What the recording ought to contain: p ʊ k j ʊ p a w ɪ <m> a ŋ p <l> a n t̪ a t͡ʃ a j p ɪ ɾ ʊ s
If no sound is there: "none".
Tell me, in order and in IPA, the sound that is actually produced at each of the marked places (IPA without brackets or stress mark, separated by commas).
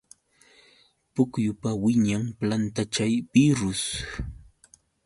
ɲ, l